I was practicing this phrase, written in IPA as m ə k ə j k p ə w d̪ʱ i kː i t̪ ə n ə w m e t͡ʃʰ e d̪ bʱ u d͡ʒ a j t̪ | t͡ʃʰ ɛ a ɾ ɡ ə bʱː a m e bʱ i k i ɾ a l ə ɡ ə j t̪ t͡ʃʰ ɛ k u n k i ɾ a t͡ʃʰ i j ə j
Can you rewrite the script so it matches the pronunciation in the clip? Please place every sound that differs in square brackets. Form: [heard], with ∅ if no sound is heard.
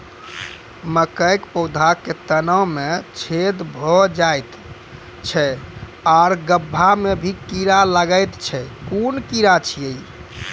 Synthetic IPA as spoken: m ə k ə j k p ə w d̪ʱ [a] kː [e] t̪ ə n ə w m e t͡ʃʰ e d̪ bʱ [ɔ] d͡ʒ a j t̪ | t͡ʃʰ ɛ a ɾ ɡ ə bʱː a m e bʱ i k i ɾ a l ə ɡ ə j t̪ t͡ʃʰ ɛ k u n k i ɾ a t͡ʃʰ i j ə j